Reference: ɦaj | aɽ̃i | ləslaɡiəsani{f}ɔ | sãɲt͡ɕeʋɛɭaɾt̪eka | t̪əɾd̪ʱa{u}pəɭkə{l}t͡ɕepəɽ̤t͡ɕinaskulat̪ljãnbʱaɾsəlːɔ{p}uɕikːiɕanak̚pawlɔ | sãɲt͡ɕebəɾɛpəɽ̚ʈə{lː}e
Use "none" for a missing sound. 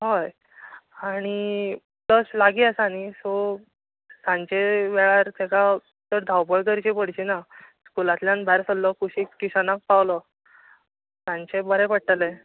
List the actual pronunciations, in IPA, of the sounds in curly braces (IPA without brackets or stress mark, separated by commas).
s, w, ɾ, k, l